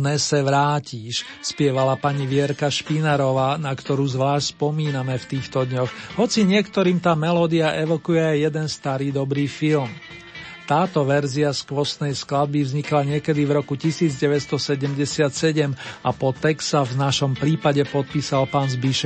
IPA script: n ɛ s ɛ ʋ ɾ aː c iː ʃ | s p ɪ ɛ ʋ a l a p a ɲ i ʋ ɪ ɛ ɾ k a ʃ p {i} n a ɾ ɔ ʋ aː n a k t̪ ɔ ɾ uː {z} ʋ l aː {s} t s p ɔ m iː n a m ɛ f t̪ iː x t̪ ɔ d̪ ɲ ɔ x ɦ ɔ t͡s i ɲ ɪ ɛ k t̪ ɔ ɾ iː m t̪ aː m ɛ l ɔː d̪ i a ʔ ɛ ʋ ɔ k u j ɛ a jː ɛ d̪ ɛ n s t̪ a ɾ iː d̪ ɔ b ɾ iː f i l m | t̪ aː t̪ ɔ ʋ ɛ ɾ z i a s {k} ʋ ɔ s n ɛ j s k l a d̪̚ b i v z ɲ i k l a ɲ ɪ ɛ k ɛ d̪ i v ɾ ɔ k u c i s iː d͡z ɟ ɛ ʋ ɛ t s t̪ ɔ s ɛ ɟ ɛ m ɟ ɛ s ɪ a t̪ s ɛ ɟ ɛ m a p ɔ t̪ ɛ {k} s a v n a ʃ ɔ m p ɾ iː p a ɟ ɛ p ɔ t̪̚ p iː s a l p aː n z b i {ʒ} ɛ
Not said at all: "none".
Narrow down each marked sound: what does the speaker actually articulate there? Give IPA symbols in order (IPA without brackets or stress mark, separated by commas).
i, z, ʃ, k, k, ʃ